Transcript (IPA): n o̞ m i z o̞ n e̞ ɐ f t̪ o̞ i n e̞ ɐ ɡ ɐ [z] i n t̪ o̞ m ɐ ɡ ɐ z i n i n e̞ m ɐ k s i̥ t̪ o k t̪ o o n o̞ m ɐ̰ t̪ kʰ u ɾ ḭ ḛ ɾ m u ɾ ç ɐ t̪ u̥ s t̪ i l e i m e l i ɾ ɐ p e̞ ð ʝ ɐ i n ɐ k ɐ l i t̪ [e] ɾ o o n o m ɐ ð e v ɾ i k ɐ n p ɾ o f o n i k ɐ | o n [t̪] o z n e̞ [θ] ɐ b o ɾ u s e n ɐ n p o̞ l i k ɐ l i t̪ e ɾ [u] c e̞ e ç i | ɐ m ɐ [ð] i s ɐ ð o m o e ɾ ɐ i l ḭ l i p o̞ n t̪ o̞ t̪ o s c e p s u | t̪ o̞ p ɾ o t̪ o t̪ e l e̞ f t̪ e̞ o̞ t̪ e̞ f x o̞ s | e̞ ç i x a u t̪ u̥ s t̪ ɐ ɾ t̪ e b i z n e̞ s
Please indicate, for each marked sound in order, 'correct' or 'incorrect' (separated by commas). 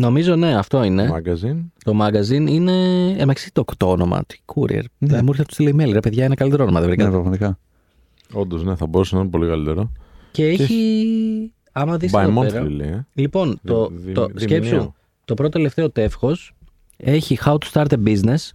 correct, correct, incorrect, correct, incorrect, correct